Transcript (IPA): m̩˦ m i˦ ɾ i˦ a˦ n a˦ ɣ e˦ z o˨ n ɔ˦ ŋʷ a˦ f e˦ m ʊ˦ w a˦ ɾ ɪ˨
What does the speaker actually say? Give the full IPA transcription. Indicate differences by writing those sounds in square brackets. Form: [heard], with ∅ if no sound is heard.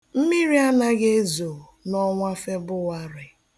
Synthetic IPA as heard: m̩˦ m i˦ ɾ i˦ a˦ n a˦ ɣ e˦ z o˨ n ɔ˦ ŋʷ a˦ f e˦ [b] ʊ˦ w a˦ ɾ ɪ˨